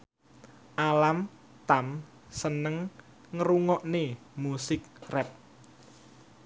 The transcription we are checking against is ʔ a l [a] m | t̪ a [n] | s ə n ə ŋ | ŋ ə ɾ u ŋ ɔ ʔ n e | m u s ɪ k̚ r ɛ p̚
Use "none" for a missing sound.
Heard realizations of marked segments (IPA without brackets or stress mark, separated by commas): a, m